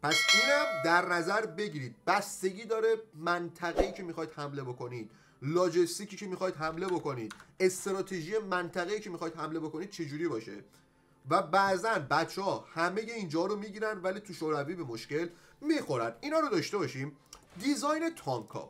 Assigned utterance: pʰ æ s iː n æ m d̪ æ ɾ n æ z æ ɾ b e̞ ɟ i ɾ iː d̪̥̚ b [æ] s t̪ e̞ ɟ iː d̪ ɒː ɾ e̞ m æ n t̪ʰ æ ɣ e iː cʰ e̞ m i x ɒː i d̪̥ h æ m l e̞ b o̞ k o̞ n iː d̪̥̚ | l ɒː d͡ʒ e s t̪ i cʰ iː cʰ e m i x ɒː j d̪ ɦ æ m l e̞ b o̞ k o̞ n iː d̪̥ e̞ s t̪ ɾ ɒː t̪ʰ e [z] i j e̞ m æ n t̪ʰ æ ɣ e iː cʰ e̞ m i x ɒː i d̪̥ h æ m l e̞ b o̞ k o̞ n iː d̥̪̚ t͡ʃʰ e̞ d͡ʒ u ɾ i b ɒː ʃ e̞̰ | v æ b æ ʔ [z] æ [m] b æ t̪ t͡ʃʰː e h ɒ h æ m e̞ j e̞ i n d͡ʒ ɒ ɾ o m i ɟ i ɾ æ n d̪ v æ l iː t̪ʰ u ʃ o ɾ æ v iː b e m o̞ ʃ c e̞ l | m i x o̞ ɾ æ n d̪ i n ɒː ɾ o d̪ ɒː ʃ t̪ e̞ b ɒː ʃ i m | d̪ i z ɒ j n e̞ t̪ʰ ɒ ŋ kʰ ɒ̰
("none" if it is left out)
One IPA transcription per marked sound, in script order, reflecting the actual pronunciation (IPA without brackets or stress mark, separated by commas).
æ, ʒ, z, n